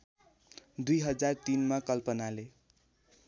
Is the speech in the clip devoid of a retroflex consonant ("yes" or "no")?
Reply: yes